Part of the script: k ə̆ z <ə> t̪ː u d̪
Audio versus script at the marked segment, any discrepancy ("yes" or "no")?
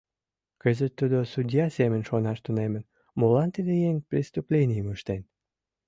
no